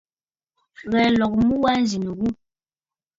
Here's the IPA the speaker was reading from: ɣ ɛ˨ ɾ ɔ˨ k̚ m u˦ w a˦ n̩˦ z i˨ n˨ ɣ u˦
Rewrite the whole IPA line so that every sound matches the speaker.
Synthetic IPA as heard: ɣ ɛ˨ l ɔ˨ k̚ m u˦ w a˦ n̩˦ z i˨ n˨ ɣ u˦